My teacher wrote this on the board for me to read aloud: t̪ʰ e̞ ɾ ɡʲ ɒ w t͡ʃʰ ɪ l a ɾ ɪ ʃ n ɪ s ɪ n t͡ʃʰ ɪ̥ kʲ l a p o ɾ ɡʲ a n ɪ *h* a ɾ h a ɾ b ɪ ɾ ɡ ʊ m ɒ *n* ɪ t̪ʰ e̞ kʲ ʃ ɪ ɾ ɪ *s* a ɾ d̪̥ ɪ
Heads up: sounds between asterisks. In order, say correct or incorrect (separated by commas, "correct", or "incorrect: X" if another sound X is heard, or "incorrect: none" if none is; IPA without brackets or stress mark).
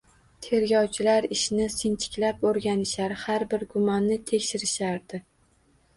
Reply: incorrect: ʃ, incorrect: nː, incorrect: ʃ